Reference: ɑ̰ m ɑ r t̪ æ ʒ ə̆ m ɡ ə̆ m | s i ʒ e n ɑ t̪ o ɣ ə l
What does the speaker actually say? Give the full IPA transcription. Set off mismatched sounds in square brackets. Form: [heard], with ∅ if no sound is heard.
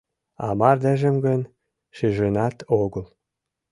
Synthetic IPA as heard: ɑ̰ m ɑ r [d̪] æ ʒ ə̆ m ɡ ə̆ [n] | [ʃ] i ʒ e n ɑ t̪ o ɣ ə l